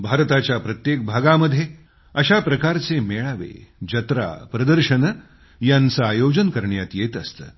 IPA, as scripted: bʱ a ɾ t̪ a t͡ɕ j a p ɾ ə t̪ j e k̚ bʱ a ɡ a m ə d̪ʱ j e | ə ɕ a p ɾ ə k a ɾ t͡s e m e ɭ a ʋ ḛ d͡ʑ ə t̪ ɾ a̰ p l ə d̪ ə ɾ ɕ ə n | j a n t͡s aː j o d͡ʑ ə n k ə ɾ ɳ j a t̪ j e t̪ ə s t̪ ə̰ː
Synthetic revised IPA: bʱ a ɾ t̪ a t͡ɕ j a p ɾ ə t̪ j e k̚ bʱ a ɡ a m ə d̪ʱ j e | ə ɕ a p ɾ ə k a ɾ t͡s e m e ɭ a ʋ ḛ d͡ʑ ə t̪ ɾ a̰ p ɾ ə d̪ ə ɾ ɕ ə n | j a n t͡s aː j o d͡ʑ ə n k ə ɾ ɳ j a t̪ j e t̪ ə s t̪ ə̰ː